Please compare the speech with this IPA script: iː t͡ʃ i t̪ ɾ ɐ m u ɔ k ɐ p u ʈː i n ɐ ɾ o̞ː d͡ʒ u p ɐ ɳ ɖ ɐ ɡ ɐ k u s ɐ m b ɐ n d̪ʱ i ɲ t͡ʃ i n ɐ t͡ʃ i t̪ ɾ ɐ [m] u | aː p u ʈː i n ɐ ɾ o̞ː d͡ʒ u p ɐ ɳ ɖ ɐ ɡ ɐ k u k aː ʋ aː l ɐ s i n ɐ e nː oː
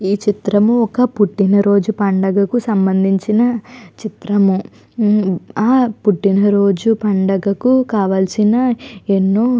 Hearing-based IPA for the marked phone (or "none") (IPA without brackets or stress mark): m